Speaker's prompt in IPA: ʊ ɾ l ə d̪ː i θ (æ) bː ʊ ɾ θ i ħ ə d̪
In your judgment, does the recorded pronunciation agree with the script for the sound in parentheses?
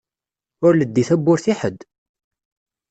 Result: yes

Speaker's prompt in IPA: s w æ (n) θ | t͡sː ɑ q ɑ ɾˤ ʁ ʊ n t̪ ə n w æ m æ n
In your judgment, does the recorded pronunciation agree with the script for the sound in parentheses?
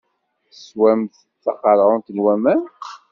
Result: no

